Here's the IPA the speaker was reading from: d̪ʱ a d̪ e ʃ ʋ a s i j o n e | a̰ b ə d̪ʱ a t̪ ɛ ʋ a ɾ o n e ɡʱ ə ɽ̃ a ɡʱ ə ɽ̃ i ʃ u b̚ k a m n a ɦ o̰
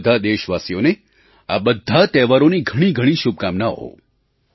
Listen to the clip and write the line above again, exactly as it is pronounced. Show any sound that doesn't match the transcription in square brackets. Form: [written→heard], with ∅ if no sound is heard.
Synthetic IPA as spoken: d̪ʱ a d̪ e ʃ ʋ a s i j o n e | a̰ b ə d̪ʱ a t̪ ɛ ʋ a ɾ o n [e→i] ɡʱ ə ɽ̃ [a→i] ɡʱ ə ɽ̃ i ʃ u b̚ k a m n a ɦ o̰